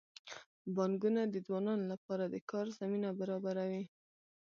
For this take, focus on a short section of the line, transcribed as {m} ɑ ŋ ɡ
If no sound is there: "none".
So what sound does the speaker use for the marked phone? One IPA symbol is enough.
b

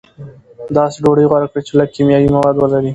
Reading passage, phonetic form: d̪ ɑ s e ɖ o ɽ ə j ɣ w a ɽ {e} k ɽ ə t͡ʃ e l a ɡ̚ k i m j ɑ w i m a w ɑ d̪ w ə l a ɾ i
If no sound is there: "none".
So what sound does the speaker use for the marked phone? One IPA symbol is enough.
a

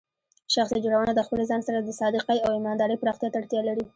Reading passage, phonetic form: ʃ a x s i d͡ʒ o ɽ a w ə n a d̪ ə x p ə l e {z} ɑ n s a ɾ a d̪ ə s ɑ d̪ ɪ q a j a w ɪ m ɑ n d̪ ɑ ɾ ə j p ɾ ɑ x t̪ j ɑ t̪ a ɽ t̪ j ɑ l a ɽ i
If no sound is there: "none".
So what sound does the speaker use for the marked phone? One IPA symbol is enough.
z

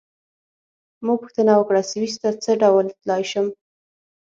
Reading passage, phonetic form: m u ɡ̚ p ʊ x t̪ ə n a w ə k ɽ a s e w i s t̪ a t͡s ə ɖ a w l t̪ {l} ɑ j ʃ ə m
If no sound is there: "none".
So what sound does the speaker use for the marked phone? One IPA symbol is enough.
l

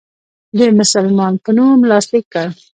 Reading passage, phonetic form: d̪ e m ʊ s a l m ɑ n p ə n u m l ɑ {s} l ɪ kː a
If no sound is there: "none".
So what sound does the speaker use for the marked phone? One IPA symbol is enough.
s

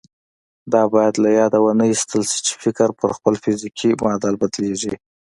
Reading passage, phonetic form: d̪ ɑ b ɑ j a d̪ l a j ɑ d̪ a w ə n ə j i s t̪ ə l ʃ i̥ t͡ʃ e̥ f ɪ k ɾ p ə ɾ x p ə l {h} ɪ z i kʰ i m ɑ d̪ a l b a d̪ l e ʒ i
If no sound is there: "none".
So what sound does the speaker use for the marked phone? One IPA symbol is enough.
f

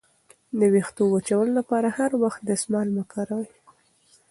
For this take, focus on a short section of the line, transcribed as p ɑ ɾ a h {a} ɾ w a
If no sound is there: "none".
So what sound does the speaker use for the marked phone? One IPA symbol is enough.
a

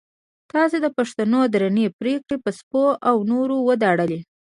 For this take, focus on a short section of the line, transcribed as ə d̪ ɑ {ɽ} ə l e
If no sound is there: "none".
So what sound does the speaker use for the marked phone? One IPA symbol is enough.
ɽ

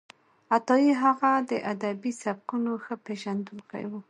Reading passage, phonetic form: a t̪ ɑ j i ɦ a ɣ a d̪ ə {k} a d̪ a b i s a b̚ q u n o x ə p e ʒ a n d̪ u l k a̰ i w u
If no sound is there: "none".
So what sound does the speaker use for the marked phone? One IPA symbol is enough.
ʔ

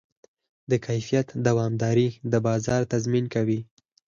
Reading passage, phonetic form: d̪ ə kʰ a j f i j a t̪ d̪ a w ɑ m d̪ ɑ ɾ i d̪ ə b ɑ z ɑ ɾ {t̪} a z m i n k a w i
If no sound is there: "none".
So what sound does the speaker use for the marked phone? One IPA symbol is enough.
t̪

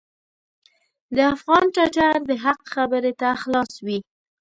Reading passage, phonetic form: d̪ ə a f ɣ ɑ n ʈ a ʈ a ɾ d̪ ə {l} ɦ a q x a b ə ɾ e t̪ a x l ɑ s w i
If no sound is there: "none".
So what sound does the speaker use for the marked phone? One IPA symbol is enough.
none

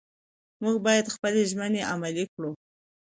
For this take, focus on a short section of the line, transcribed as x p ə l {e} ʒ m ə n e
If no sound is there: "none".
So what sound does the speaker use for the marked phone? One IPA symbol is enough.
e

